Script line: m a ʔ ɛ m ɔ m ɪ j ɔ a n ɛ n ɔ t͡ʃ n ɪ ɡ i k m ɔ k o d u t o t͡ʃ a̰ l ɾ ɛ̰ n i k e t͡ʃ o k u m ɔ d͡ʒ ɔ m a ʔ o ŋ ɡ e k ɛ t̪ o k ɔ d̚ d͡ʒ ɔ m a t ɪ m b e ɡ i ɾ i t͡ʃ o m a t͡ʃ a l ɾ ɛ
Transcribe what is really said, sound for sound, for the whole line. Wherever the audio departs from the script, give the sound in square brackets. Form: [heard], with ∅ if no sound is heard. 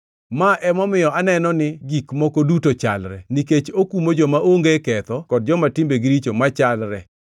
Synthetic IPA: m a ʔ ɛ m ɔ m ɪ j ɔ a n ɛ n ɔ [∅] n ɪ ɡ i k m ɔ k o d u t o t͡ʃ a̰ l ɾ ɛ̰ n i k e t͡ʃ o k u m [o] d͡ʒ ɔ m a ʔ o ŋ ɡ e k ɛ t̪ [ɔ] k ɔ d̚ d͡ʒ ɔ m a t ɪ m b e ɡ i ɾ i t͡ʃ o m a t͡ʃ a l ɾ ɛ